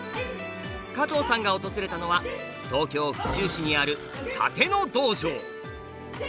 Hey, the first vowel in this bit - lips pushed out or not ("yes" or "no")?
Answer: no